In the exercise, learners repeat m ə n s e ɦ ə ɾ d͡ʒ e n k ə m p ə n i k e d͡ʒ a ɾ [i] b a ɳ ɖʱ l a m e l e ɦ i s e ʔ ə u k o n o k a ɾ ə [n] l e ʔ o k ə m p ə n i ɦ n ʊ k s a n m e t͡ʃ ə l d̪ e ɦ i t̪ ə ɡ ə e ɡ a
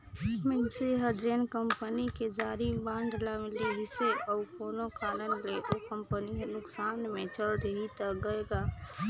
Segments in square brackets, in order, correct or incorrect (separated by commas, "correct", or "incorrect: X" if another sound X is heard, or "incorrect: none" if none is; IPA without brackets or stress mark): correct, correct